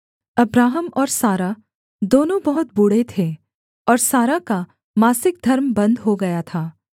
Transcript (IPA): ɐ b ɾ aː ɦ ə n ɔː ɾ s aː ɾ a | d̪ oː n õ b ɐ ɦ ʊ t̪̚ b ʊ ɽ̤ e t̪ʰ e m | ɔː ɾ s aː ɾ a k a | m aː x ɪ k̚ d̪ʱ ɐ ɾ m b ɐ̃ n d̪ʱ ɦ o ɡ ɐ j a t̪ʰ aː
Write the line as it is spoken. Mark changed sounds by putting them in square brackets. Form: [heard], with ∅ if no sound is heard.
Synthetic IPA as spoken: ɐ b ɾ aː ɦ ə [m] ɔː ɾ s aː ɾ a | d̪ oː n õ b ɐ ɦ ʊ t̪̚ b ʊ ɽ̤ e t̪ʰ e [∅] | ɔː ɾ s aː ɾ a k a | m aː [s] ɪ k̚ d̪ʱ ɐ ɾ m b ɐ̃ n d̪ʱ ɦ o ɡ ɐ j a t̪ʰ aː